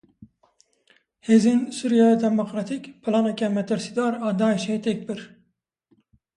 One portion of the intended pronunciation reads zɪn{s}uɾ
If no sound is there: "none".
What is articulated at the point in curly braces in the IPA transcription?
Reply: s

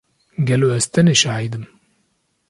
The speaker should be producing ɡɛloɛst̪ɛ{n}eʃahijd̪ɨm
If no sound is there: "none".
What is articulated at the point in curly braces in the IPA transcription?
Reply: n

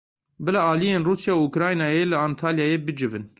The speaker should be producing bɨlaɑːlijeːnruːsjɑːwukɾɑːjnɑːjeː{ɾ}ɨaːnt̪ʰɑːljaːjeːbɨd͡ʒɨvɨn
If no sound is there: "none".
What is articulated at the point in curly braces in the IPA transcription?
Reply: l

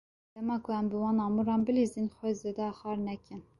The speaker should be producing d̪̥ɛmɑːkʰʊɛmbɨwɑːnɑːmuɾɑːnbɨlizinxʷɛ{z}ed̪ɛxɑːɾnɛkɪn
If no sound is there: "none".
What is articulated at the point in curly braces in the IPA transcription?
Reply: z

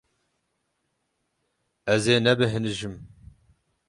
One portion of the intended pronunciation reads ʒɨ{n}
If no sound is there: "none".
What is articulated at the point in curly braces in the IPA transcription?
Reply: m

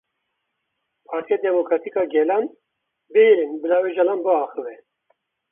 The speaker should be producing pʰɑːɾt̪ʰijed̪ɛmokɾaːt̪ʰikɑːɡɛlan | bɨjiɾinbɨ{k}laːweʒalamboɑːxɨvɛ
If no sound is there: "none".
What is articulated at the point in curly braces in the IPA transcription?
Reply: none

